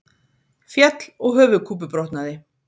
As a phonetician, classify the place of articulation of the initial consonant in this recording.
labial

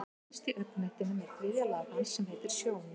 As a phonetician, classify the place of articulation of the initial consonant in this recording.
alveolar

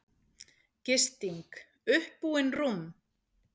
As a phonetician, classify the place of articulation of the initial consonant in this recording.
palatal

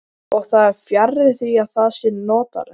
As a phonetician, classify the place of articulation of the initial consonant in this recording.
velar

